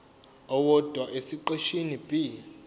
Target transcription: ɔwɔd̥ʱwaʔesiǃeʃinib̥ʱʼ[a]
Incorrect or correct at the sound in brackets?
incorrect: i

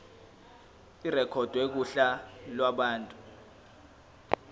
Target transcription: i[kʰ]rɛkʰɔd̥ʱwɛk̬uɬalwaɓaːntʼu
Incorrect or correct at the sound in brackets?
incorrect: none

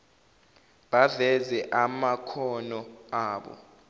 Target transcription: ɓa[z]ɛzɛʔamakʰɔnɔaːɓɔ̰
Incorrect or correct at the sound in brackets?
incorrect: v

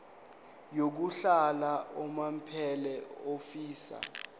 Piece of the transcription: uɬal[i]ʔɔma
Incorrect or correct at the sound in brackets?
incorrect: a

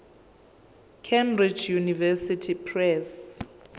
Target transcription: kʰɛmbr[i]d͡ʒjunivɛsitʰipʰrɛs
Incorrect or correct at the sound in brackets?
correct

